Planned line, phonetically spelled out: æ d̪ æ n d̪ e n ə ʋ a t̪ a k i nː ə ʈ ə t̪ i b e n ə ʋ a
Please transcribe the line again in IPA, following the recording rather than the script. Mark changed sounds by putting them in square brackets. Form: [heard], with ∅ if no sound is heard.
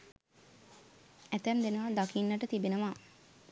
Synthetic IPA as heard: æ [t̪] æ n d̪ e n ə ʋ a [d̪] a k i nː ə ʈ ə t̪ i b e n ə ʋ a